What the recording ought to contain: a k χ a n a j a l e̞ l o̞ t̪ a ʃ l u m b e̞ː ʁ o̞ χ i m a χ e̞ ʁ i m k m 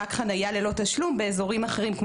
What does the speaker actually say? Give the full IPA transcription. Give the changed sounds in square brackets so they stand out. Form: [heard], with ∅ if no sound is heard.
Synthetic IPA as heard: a k χ a n a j a l e̞ l o̞ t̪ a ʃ l u m b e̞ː [z] o̞ [ʁ] i m a χ e̞ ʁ i m k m